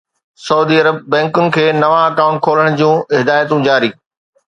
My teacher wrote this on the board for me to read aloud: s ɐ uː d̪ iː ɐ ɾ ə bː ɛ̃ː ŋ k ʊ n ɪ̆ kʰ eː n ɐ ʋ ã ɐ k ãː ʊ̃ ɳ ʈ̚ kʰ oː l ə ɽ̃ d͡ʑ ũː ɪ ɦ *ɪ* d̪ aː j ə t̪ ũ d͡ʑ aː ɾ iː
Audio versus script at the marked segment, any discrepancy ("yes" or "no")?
no